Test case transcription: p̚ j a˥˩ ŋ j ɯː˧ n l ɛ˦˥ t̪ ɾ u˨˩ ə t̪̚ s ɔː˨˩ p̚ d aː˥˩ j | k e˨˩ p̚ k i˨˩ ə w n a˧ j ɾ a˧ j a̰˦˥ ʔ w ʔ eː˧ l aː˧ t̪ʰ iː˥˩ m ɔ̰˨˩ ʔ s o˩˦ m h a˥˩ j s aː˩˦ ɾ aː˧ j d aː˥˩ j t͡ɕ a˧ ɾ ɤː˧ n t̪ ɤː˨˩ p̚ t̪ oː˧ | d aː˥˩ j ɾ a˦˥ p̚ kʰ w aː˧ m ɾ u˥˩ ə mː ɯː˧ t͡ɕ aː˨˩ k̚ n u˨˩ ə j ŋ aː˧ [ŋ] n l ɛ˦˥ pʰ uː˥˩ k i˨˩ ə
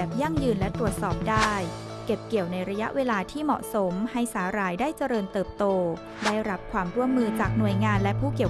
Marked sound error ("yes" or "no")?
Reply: yes